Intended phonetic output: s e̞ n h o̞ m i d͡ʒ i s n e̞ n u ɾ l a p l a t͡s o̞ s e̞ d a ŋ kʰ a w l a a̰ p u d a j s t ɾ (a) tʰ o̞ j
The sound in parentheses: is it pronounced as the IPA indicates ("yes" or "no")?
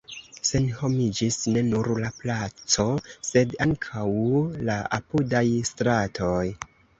yes